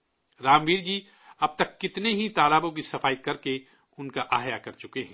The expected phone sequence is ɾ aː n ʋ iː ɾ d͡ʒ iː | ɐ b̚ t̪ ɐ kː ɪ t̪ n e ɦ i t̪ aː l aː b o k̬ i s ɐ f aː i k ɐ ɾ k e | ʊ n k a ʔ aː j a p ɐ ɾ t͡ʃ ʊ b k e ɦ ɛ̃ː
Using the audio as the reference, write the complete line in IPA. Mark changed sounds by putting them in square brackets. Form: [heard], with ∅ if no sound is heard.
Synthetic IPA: ɾ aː [m] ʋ iː ɾ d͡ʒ iː | ɐ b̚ t̪ ɐ kː ɪ t̪ n e ɦ i t̪ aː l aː b [õ] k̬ i s ɐ f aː i k ɐ ɾ k e | ʊ n k a ʔ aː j a [k] ɐ ɾ t͡ʃ ʊ [∅] k e ɦ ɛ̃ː